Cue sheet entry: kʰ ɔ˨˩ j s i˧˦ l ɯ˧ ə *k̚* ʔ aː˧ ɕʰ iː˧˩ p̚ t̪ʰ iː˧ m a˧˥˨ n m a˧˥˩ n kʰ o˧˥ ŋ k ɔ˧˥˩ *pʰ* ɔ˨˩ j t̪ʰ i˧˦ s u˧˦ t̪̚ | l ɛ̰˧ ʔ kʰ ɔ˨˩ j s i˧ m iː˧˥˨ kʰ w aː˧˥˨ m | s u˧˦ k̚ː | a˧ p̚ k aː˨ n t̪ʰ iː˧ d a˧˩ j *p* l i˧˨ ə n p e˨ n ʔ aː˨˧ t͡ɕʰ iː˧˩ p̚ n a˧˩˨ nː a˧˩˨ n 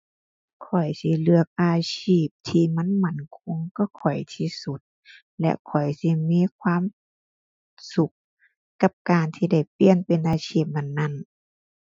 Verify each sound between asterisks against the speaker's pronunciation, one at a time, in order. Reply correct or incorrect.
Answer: correct, incorrect, correct

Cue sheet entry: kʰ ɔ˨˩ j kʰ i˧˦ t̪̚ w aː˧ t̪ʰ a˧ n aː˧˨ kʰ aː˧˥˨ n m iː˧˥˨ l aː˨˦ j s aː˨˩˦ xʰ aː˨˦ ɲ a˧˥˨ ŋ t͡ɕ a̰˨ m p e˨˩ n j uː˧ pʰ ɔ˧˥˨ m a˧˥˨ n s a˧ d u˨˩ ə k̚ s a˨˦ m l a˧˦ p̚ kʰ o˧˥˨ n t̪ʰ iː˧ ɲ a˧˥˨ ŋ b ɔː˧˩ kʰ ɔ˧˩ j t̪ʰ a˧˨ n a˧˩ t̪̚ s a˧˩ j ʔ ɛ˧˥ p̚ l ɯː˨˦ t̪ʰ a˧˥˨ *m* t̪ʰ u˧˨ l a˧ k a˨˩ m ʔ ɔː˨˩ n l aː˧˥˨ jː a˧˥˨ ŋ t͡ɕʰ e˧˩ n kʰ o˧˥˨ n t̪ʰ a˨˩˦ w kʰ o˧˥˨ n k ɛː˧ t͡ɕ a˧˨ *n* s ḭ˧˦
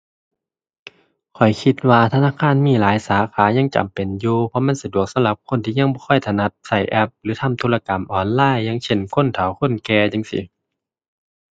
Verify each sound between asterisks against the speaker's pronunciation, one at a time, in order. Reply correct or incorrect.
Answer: correct, incorrect

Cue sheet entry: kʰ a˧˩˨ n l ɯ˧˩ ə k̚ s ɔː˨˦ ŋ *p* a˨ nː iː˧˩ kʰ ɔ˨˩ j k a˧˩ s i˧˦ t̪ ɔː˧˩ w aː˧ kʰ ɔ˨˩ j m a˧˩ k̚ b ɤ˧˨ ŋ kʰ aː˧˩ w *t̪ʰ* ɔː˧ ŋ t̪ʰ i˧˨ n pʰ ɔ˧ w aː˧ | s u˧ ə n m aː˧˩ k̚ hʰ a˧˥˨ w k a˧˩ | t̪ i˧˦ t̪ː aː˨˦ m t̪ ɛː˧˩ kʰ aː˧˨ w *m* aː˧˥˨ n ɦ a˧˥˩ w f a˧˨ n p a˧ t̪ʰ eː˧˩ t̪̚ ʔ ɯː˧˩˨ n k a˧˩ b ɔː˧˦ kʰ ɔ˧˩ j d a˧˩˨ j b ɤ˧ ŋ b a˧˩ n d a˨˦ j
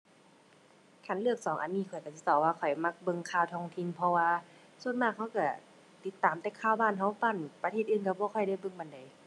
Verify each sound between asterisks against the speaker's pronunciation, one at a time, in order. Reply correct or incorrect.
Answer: incorrect, correct, incorrect

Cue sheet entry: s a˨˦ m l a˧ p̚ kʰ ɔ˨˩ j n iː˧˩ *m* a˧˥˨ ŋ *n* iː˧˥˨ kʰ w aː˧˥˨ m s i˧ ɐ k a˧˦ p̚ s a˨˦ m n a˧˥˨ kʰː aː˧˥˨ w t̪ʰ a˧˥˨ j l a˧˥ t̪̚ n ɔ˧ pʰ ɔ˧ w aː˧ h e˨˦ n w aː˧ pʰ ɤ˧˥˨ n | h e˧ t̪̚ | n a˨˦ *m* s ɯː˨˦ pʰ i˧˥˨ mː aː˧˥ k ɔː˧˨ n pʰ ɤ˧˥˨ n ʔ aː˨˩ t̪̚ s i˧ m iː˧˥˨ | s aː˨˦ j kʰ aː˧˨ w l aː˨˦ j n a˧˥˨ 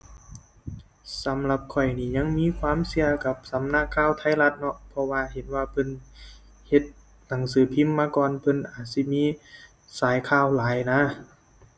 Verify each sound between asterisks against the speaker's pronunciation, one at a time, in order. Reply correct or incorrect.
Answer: incorrect, incorrect, incorrect

